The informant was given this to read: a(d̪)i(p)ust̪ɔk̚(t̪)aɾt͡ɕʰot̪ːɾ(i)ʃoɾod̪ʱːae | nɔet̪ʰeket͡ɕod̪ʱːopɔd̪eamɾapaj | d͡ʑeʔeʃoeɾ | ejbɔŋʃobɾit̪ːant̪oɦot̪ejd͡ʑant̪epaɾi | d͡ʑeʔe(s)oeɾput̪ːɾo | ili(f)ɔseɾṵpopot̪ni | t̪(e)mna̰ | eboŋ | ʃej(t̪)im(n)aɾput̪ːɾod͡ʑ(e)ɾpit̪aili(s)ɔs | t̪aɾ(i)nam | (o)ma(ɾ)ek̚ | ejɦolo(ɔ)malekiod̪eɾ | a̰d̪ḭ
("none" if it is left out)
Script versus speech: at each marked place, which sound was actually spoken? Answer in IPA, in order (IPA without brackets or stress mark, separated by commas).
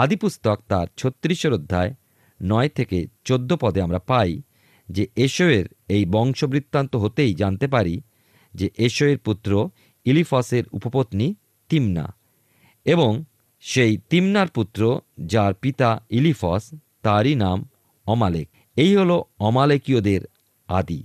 d̪, p, t̪, i, ʃ, f, i, t̪, n, a, f, i, ɔ, l, ɔ